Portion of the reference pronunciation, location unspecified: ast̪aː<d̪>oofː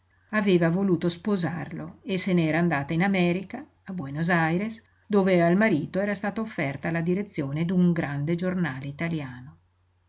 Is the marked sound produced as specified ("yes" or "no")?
no